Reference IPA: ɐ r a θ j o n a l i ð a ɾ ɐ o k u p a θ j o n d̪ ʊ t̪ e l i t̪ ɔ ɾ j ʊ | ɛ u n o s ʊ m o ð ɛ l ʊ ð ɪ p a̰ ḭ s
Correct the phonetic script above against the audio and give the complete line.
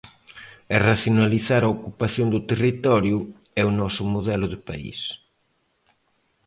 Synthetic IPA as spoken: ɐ r a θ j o n a l i θ a ɾ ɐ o k u p a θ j o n d̪ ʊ t̪ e r i t̪ ɔ ɾ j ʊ | ɛ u n ɔ s ʊ m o ð ɛ l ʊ ð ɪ p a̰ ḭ s